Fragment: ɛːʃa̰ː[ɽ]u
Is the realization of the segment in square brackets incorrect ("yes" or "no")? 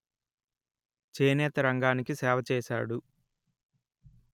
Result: no